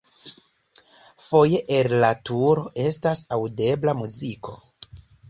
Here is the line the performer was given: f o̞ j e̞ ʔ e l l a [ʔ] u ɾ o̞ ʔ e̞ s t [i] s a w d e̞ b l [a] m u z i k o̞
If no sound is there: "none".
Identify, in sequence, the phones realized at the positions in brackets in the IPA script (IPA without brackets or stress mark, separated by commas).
t, a, a